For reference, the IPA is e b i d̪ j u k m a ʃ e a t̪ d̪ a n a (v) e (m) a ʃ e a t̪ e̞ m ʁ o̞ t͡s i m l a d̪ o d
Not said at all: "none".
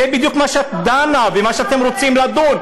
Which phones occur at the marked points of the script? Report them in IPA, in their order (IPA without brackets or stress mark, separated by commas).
v, m